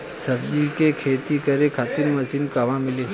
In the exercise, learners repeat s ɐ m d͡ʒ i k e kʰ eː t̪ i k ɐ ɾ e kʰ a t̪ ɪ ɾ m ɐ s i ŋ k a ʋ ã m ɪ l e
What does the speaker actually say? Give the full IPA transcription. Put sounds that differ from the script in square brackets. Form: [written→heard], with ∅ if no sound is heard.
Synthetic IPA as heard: s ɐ [m→b] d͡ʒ i k e kʰ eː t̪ i k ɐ ɾ e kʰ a t̪ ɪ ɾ m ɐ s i [ŋ→n] k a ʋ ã m ɪ l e

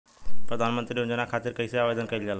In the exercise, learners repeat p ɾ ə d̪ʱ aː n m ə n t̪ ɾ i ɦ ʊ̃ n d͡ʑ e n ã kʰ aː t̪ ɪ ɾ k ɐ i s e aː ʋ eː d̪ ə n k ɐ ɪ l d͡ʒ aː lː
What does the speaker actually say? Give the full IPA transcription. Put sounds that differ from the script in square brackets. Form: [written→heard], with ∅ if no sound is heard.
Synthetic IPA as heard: p ɾ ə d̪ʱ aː n m ə n t̪ ɾ i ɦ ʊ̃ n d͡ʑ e n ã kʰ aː t̪ ɪ ɾ k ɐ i s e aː ʋ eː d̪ ə n k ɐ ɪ l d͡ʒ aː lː

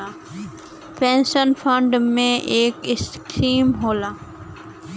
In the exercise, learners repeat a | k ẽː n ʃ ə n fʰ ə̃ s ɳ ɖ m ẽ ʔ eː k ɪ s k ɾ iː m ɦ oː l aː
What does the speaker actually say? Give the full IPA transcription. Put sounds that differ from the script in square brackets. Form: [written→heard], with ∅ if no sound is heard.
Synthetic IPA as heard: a | [k→p] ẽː n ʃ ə n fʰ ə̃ [s→∅] ɳ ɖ m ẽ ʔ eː k ɪ s k ɾ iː m ɦ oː l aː

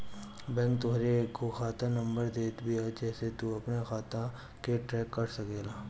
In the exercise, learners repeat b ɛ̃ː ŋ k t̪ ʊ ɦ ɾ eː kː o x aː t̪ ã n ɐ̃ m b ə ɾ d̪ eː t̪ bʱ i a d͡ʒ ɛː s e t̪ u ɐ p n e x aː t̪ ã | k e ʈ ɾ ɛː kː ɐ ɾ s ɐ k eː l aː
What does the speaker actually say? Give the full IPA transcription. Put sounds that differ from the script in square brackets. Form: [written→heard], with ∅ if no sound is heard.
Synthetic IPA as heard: b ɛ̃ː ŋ k t̪ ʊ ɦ ɾ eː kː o x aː t̪ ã n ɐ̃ m b ə ɾ d̪ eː t̪ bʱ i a d͡ʒ ɛː s e t̪ u ɐ p n e x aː t̪ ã | k e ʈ ɾ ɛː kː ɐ ɾ s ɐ k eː l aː

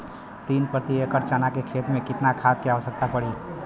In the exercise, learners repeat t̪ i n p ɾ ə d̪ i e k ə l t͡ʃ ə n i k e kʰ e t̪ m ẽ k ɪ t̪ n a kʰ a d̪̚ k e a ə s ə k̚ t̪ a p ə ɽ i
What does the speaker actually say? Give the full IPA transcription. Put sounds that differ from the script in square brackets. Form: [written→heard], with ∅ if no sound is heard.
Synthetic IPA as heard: t̪ i n p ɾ ə [d̪→t̪] i e k ə [l→ɾ] t͡ʃ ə n [i→a] k e kʰ e t̪ m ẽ k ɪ t̪ n a kʰ a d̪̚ k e a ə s ə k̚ t̪ a p ə ɽ i

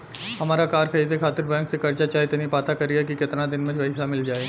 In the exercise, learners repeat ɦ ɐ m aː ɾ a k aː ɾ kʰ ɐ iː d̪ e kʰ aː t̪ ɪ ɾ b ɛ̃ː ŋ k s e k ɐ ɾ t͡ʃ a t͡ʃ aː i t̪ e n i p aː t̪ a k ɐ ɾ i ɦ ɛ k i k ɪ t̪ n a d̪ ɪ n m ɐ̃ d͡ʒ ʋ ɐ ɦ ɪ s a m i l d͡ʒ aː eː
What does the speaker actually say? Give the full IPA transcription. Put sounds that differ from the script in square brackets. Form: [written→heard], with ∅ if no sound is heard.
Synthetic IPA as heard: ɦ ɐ m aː ɾ a k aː ɾ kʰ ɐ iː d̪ e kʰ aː t̪ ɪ ɾ b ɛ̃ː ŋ k s e k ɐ ɾ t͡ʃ a t͡ʃ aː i t̪ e n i p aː t̪ a k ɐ ɾ i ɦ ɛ k i k ɪ t̪ n a d̪ ɪ n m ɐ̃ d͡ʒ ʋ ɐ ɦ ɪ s a m [i→ɪ] l d͡ʒ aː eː

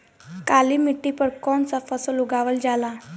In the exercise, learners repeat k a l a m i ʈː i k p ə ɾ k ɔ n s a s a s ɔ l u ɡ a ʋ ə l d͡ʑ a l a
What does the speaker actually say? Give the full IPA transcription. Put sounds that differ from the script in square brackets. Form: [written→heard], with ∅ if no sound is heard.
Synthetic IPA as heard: k a l [a→i] m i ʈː i [k→∅] p ə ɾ k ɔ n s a [s→f] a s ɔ l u ɡ a ʋ ə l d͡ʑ a l a

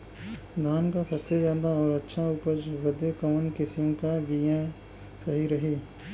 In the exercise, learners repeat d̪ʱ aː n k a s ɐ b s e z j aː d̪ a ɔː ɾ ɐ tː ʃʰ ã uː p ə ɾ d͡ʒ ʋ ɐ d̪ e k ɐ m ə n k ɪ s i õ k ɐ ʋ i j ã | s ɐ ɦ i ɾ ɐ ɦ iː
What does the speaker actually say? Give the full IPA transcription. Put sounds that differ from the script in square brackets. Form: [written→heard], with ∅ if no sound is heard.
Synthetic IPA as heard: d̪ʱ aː n k a s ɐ b s e z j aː d̪ a ɔː ɾ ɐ tː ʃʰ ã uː p ə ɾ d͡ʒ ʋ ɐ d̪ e k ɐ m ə n k ɪ s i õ k [ɐ→a] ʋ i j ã | s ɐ ɦ i ɾ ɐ ɦ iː

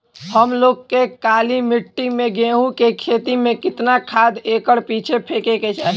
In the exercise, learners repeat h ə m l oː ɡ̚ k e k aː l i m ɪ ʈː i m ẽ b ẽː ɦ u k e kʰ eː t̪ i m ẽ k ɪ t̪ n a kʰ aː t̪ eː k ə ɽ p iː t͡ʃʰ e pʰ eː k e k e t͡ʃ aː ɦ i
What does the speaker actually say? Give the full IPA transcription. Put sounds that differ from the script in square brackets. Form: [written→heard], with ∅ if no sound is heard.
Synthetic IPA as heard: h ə m l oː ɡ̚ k e k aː l i m ɪ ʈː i m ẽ [b→ɡ] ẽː ɦ u k e kʰ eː t̪ i m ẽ k ɪ t̪ n a kʰ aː [t̪→d̪] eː k ə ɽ p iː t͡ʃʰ e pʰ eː k e k e t͡ʃ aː ɦ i

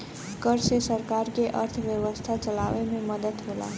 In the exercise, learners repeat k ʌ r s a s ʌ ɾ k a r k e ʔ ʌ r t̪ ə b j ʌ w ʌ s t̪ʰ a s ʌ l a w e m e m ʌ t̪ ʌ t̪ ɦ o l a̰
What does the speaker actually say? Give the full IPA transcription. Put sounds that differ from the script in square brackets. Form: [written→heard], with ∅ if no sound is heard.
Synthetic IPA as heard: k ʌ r s [a→e] s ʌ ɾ k a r k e ʔ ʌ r [t̪→t̪ʰ] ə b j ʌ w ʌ s t̪ʰ a [s→t͡s] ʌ l a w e m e m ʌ [t̪→d̪] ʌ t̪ ɦ o l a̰

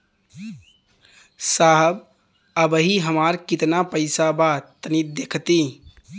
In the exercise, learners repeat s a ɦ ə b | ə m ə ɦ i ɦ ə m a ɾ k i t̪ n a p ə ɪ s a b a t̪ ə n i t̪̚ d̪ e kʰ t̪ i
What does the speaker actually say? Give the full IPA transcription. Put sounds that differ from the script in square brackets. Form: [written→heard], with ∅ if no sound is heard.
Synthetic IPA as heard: s a ɦ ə b | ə [m→b] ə ɦ i ɦ ə m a ɾ k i t̪ n a p ə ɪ s a b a t̪ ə n i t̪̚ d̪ e kʰ t̪ i

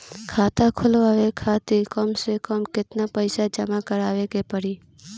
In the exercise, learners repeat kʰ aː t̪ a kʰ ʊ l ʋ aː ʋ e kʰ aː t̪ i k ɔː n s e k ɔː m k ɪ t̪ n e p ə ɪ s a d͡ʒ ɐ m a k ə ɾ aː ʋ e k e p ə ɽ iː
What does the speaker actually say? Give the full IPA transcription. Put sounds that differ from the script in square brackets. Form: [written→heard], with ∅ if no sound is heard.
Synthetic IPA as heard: kʰ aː t̪ a kʰ ʊ l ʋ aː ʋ e kʰ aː t̪ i k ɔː [n→m] s e k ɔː m k ɪ t̪ n [e→a] p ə ɪ s a d͡ʒ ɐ m a k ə ɾ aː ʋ e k e p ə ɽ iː

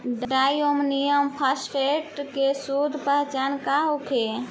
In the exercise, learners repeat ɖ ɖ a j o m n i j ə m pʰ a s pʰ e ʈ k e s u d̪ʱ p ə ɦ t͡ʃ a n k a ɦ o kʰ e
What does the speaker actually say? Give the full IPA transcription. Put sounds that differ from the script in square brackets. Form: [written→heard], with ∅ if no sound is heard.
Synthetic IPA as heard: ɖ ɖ a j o m n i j ə m pʰ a s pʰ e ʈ k e s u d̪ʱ p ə ɦ t͡ʃ a n k a ɦ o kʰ e

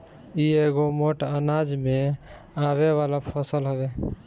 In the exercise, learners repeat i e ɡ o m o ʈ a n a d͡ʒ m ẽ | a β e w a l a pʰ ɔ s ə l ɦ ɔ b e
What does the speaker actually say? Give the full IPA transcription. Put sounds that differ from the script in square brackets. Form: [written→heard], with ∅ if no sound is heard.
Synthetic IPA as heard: i e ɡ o m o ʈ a n a d͡ʒ m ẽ | a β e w a l a pʰ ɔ s ə l ɦ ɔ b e

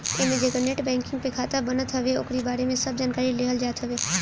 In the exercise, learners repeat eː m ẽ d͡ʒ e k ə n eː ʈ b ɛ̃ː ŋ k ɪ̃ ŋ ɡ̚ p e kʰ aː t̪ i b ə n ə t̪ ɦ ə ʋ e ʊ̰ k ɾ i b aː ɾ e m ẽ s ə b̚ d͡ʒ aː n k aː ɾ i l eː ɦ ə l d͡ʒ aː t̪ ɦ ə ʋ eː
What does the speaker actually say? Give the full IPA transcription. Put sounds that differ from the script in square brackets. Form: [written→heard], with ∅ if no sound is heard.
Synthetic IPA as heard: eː m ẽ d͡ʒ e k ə n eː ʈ b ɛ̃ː ŋ k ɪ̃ ŋ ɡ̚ p e kʰ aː t̪ [i→a] b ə n ə t̪ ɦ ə ʋ e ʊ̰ k ɾ i b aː ɾ e m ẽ s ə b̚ d͡ʒ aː n k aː ɾ i l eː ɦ ə l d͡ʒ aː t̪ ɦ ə ʋ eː

